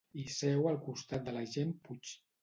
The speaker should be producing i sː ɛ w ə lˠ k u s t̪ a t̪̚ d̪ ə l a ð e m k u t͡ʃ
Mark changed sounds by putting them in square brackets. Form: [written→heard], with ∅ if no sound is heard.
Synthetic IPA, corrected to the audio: i [sː→s] ɛ w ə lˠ k u s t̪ a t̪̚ d̪ ə l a [ð→ʒ] e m [k→p] u t͡ʃ